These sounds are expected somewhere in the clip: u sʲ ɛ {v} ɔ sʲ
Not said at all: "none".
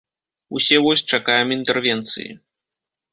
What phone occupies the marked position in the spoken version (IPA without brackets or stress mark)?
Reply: v